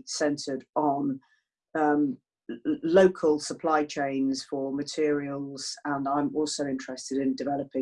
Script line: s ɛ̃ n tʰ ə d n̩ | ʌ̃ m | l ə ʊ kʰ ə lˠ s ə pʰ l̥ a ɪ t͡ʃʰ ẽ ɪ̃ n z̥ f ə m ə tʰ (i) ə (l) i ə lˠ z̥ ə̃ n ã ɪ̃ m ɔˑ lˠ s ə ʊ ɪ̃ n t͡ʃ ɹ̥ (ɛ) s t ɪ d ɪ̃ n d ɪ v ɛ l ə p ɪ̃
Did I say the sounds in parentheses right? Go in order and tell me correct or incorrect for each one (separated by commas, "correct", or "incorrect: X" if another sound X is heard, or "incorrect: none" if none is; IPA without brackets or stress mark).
incorrect: ɪ, incorrect: ɹ, correct